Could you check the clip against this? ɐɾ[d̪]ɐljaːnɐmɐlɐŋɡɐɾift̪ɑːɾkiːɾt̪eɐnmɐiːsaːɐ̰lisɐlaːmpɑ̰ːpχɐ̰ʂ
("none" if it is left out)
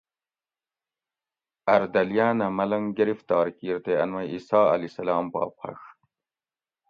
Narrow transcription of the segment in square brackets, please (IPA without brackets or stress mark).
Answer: d̪